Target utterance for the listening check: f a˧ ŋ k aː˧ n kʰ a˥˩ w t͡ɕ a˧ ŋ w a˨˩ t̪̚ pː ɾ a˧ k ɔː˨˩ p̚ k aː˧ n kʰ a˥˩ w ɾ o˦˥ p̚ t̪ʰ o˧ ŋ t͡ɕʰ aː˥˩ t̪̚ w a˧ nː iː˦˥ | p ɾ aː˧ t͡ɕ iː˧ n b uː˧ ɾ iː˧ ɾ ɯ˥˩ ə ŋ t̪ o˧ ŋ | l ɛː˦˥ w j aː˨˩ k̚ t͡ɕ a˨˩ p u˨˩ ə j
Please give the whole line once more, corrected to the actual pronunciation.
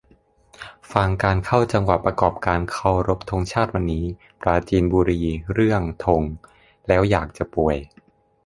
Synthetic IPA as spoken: f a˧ ŋ k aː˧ n kʰ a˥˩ w t͡ɕ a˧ ŋ w a˨˩ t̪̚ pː ɾ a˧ k ɔː˨˩ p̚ k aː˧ n kʰ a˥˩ w ɾ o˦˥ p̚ t̪ʰ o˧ ŋ t͡ɕʰ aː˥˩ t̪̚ w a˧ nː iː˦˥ | p ɾ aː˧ t͡ɕ iː˧ n b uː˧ ɾ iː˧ ɾ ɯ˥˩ ə ŋ t̪ʰ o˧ ŋ | l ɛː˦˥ w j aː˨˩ k̚ t͡ɕ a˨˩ p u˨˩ ə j